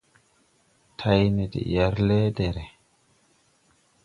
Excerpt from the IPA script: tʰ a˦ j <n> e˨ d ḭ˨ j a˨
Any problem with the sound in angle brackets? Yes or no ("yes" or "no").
no